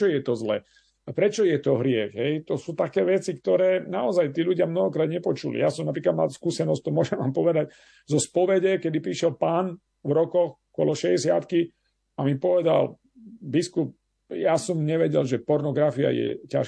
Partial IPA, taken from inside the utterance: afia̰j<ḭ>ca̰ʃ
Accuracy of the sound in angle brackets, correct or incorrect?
incorrect